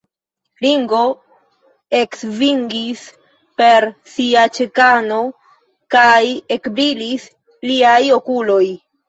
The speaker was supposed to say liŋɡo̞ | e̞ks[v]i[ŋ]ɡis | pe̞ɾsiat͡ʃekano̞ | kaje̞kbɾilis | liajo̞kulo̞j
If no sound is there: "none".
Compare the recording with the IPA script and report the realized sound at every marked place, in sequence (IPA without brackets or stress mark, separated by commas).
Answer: v, ŋ